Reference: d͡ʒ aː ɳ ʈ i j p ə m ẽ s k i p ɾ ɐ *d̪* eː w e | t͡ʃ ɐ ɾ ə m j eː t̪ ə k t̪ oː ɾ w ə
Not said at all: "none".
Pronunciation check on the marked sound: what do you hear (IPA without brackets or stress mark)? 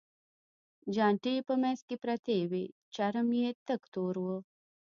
t̪